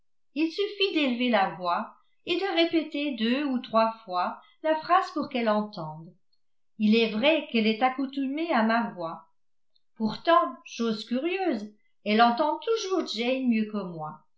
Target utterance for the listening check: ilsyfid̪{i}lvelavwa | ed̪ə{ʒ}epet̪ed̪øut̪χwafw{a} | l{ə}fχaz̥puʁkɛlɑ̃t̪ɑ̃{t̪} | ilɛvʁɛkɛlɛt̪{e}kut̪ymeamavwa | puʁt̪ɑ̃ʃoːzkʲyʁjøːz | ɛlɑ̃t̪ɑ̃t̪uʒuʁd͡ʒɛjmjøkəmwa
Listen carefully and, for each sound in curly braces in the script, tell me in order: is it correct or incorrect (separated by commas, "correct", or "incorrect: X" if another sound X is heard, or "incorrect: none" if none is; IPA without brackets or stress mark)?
incorrect: e, incorrect: ʁ, correct, incorrect: a, incorrect: d̪, incorrect: a